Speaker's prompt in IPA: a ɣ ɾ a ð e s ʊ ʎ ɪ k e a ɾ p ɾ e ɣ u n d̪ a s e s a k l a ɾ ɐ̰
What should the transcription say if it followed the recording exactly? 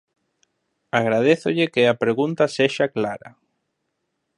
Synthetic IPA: a ɣ ɾ a ð e θ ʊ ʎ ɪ k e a p ɾ e ɣ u n t̪ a s e ʃ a k l a ɾ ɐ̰